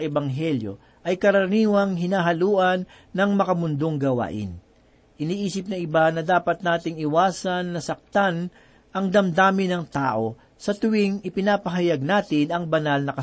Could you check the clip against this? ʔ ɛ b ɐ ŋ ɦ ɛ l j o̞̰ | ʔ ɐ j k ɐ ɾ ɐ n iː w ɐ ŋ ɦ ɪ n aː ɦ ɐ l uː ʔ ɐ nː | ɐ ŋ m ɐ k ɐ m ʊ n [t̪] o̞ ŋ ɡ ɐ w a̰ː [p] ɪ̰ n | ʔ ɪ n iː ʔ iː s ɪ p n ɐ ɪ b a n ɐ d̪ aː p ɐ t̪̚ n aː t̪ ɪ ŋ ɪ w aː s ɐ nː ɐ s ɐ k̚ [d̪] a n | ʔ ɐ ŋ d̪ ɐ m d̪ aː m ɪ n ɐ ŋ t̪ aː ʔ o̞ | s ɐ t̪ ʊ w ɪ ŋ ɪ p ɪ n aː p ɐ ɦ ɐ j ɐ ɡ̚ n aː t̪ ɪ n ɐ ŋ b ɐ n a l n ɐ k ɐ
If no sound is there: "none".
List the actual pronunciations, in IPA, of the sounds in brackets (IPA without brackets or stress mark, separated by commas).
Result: d̪, ʔ, t̪